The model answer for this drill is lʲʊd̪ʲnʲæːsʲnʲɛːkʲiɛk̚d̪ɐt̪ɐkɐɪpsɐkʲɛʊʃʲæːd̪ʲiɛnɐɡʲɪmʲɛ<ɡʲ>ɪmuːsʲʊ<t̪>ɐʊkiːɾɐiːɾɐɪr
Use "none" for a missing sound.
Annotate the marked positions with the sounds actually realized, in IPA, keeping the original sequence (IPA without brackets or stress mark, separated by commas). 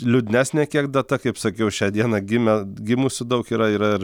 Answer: ɡʲ, d̪